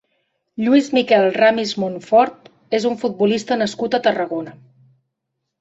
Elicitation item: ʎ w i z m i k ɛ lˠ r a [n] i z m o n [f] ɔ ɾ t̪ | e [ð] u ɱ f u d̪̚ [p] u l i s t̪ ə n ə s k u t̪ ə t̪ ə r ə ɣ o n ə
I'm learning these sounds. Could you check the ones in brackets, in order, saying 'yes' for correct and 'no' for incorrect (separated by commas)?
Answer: no, yes, no, no